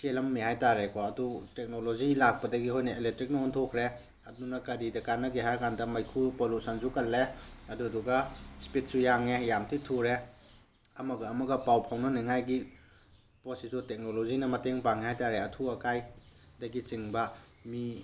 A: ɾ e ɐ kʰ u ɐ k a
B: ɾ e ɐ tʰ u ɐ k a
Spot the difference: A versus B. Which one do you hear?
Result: B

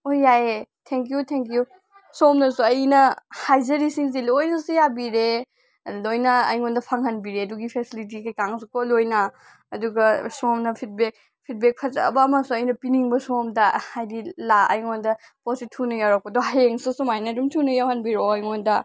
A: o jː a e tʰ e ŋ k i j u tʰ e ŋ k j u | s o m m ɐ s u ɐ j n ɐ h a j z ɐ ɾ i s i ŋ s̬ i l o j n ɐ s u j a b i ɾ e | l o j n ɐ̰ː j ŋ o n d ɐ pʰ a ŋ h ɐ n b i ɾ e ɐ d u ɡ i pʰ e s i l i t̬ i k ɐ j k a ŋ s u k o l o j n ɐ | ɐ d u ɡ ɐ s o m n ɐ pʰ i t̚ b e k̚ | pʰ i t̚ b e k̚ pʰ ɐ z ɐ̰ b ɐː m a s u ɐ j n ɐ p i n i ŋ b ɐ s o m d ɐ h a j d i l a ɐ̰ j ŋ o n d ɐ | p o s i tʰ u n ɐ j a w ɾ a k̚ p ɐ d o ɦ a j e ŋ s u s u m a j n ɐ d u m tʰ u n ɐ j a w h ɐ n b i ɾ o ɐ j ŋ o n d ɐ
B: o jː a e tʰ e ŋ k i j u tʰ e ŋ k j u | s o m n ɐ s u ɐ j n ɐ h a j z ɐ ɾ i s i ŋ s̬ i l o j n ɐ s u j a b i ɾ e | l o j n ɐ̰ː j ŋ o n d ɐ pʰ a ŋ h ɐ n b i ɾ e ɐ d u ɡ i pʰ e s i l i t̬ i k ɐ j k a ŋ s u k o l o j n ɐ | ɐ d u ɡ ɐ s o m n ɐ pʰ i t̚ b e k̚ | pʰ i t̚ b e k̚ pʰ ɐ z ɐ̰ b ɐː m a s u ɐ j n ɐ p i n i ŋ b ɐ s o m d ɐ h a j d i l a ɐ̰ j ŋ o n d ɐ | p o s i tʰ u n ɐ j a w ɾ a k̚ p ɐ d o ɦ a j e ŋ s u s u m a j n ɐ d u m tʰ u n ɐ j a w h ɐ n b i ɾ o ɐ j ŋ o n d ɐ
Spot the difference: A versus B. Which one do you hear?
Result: B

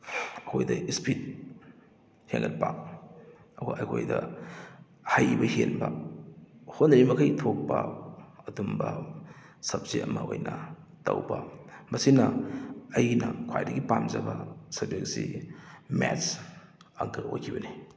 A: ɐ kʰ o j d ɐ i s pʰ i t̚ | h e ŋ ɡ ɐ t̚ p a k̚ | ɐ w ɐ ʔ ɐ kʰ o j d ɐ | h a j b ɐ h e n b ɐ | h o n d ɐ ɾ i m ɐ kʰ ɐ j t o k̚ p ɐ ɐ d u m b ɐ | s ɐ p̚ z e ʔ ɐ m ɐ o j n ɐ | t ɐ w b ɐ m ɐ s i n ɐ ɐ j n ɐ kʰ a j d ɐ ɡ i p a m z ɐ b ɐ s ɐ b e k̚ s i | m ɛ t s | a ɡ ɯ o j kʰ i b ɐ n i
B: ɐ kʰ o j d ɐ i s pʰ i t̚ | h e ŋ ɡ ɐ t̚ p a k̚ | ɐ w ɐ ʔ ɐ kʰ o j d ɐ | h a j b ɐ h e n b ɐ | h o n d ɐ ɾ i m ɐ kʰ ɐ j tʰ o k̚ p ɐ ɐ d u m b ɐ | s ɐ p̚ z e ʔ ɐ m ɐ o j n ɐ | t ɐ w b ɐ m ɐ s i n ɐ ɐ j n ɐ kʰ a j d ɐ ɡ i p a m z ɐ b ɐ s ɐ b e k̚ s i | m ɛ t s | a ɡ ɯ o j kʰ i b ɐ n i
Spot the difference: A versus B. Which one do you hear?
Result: B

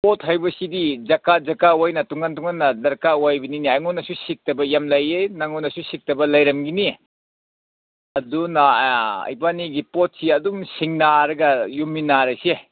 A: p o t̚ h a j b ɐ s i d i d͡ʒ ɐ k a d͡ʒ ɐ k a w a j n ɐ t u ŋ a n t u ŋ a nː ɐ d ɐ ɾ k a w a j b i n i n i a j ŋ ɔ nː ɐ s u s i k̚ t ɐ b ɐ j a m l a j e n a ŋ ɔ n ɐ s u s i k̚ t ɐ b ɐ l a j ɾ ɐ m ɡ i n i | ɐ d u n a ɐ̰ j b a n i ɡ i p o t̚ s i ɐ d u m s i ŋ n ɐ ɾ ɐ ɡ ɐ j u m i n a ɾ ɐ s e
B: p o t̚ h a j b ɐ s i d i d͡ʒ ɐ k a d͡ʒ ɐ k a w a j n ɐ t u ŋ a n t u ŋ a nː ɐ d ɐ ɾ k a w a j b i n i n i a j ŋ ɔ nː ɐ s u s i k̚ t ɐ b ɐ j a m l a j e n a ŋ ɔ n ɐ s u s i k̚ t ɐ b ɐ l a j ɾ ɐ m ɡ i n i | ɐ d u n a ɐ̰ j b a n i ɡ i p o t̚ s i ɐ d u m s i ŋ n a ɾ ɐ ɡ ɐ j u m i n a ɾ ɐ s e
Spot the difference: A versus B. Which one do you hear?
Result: B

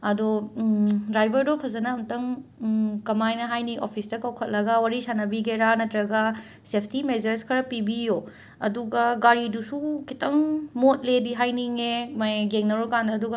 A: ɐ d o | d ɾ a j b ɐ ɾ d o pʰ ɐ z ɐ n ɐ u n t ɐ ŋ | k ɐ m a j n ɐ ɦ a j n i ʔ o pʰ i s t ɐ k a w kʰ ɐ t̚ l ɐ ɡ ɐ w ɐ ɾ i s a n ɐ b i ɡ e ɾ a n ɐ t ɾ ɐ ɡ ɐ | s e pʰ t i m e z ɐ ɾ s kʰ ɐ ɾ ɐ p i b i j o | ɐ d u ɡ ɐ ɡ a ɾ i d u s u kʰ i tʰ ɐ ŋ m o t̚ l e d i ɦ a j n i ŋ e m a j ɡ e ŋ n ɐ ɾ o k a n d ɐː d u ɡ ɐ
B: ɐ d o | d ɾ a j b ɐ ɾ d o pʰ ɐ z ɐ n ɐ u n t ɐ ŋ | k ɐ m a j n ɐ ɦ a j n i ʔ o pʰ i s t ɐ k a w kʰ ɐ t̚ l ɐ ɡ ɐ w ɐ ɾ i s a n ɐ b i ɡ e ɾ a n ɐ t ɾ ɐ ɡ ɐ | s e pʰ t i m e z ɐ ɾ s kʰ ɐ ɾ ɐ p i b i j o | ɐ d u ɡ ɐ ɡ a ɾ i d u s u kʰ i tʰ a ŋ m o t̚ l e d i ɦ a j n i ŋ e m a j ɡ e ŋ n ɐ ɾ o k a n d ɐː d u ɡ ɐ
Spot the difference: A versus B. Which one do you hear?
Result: A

